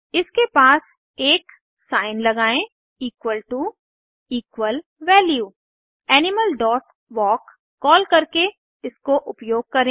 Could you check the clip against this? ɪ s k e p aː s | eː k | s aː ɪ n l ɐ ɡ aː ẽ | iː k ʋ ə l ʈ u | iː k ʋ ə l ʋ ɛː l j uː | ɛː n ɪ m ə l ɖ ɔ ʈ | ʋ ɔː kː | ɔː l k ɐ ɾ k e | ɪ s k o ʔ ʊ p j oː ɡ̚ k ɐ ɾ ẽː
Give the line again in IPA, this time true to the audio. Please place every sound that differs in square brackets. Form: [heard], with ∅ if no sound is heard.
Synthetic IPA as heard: ɪ s k e p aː s | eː k | s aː ɪ n l ɐ ɡ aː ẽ | iː k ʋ ə l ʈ u | iː k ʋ ə l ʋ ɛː l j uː | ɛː n ɪ m ə l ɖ [ɔː] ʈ | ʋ ɔː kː | ɔː l k ɐ ɾ k e | ɪ s k o ʔ ʊ p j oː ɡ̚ k ɐ ɾ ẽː

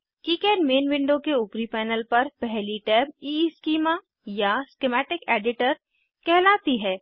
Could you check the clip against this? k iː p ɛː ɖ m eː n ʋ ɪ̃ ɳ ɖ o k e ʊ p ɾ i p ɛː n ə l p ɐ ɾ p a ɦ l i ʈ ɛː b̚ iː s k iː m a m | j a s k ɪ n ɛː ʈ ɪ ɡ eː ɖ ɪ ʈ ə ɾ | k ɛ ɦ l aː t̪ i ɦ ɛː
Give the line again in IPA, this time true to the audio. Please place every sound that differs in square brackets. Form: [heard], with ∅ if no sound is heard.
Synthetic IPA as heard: k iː [k] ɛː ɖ m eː n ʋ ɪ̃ ɳ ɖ o k e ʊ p ɾ i p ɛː n ə l p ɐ ɾ p [ɛ] ɦ l i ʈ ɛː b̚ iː s k iː m a [∅] | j a s k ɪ [m] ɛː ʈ ɪ [k] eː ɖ ɪ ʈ ə ɾ | k ɛ ɦ l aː t̪ i ɦ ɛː

